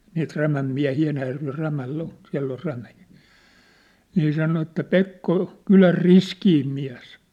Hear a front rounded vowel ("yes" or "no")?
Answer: yes